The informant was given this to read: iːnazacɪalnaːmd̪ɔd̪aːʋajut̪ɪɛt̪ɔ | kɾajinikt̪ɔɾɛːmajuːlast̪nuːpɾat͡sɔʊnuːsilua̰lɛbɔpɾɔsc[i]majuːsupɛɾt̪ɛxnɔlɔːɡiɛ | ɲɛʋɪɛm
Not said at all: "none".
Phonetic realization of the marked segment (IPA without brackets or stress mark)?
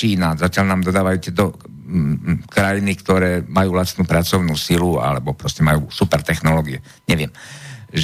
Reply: ɛ